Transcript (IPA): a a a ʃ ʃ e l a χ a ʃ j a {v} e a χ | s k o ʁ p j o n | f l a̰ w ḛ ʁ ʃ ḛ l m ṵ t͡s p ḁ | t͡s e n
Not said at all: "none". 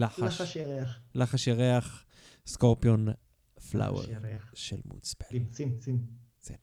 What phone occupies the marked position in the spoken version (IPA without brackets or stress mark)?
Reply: ʁ